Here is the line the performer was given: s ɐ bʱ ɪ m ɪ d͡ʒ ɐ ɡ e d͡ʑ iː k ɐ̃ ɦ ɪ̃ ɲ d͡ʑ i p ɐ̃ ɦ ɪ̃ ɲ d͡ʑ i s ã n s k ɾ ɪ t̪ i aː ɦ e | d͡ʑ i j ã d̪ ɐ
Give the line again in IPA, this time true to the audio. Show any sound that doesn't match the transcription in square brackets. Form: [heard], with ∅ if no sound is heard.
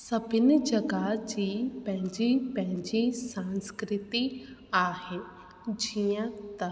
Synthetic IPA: s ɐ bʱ ɪ [n] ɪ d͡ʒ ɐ ɡ [a] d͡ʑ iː [p] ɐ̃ ɦ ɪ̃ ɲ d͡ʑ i p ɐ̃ ɦ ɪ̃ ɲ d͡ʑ i s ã n s k ɾ ɪ t̪ i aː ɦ e | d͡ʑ i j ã [t̪] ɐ

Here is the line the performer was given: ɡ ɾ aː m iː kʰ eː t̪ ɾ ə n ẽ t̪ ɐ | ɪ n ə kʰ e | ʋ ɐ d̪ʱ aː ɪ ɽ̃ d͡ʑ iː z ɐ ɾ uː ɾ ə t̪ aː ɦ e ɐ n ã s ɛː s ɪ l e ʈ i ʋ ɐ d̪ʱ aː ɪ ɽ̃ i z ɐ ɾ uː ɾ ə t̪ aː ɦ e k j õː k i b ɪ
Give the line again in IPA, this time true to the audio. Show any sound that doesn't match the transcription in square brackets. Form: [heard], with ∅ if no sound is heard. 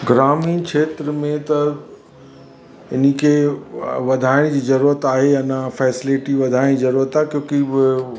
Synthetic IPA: ɡ ɾ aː m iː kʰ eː t̪ ɾ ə [m] ẽ t̪ ɐ | ɪ n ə kʰ e | ʋ ɐ d̪ʱ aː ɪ ɽ̃ d͡ʑ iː z ɐ ɾ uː ɾ ə t̪ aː ɦ e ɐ n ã [f] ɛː s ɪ l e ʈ i ʋ ɐ d̪ʱ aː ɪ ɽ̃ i z ɐ ɾ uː ɾ ə t̪ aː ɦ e k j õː k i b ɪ

